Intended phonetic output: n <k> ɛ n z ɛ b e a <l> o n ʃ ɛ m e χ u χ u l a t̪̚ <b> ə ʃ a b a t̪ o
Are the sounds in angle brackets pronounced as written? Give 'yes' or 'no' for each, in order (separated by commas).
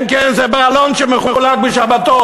yes, yes, yes